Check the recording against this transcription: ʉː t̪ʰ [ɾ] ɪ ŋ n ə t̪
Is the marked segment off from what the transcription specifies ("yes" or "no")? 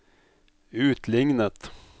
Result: yes